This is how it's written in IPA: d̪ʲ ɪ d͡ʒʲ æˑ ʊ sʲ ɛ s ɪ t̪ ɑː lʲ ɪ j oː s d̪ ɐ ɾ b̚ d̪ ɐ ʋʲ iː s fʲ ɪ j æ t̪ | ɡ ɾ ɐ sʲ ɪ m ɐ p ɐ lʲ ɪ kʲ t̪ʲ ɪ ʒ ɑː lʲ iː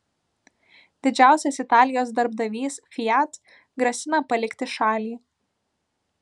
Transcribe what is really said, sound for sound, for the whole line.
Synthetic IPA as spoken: d̪ʲ ɪ d͡ʒʲ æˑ ʊ sʲ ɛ s ɪ t̪ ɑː lʲ ɪ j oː s d̪ ɐ ɾ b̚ d̪ ɐ ʋʲ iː s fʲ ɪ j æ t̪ | ɡ ɾ ɐ sʲ ɪ n ɐ p ɐ lʲ ɪ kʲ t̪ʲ ɪ ʃ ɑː lʲ iː

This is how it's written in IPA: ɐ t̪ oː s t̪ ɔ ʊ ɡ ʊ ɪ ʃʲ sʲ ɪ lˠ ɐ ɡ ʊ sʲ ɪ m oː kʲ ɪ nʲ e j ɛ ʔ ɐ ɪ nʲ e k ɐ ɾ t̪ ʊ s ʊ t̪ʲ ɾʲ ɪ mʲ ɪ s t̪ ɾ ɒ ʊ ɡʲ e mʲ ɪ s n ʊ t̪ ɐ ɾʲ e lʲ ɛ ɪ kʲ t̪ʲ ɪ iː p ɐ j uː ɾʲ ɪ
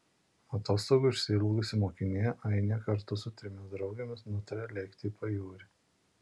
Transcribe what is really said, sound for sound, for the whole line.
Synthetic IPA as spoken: ɐ t̪ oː s t̪ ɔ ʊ ɡ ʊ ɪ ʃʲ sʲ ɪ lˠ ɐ ɡ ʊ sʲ ɪ m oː kʲ ɪ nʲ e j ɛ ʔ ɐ ɪ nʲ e k ɐ ɾ t̪ ʊ s ʊ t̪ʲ ɾʲ ɪ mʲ ɪ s d̪ ɾ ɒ ʊ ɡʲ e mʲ ɪ s n ʊ t̪ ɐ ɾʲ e lʲ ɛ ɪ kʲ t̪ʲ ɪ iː p ɐ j uː ɾʲ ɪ

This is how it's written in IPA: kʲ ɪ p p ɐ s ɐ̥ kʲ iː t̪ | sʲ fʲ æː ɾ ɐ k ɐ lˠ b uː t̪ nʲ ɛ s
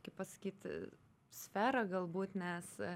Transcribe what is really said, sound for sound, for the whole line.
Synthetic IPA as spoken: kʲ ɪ p p ɐ s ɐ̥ kʲ iː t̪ | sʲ fʲ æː ɾ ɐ ɡ ɐ lˠ b uː t̪ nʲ ɛ s

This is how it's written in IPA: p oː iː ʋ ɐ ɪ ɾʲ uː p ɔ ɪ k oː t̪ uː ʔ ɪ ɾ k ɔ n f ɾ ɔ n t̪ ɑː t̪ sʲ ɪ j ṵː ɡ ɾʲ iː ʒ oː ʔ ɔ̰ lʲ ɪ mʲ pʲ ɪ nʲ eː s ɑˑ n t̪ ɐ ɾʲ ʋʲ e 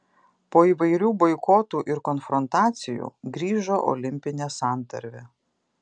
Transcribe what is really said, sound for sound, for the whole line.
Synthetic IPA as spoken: p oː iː ʋ ɐ ɪ ɾʲ uː b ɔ ɪ k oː t̪ uː ʔ ɪ ɾ k ɔ n f ɾ ɔ n t̪ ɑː t̪ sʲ ɪ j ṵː ɡ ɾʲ iː ʒ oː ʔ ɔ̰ lʲ ɪ mʲ pʲ ɪ nʲ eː s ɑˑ n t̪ ɐ ɾʲ ʋʲ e

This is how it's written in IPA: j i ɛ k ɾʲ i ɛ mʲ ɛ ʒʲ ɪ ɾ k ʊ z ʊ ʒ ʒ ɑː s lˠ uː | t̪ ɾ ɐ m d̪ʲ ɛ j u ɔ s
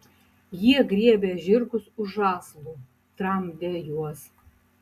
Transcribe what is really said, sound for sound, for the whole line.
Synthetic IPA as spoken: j i ɛ ɡ ɾʲ i ɛ bʲ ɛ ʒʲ ɪ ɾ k ʊ s ʊ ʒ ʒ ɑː s lˠ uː | t̪ ɾ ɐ m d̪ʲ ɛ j u ɔ s

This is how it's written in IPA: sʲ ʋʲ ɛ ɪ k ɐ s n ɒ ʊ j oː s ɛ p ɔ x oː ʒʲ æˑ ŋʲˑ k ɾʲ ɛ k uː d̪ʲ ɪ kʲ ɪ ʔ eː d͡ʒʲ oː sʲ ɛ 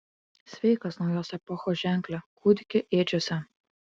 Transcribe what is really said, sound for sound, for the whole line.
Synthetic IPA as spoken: sʲ ʋʲ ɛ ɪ k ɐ s n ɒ ʊ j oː s ɛ p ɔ x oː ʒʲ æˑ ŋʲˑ k lʲ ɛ k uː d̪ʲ ɪ kʲ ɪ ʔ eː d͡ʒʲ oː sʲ ɛ

